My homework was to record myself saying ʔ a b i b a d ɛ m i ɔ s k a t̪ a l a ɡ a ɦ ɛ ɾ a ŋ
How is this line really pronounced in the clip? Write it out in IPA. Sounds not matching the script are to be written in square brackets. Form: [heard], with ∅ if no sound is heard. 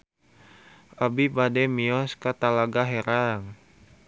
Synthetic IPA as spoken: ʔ a b i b a d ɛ m i ɔ s k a t̪ a l a ɡ a ɦ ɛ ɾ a ŋ